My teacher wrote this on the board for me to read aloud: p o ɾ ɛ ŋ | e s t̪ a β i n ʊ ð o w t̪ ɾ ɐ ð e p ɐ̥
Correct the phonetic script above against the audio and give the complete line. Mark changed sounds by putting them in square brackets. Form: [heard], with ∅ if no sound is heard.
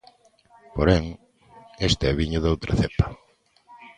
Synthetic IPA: p o ɾ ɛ ŋ | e s t̪ [ɛ] β i [ɲ] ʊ ð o w t̪ ɾ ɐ [θ] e p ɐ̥